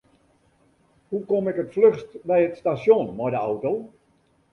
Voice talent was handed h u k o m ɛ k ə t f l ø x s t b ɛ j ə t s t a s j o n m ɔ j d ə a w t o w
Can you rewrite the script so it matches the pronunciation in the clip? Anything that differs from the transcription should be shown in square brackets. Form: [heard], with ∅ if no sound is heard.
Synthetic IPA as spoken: h u k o m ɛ k ə t f l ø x s t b ɛ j ə t s t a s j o n m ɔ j d ə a w t o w